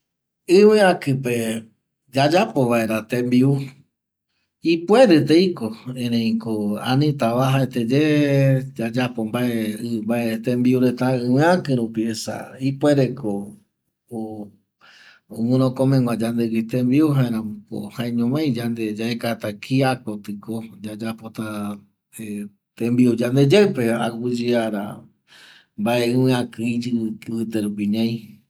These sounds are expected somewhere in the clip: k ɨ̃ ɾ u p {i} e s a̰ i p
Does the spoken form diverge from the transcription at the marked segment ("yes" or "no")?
no